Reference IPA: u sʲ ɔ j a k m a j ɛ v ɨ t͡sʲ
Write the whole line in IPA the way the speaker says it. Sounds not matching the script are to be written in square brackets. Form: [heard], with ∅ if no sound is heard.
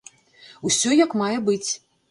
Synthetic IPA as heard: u sʲ ɔ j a k m a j ɛ [b] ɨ t͡sʲ